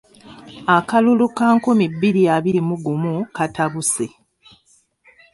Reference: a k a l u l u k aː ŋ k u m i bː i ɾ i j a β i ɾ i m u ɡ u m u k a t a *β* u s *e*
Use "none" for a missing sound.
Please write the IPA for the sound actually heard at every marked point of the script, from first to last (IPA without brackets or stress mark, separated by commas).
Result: β, e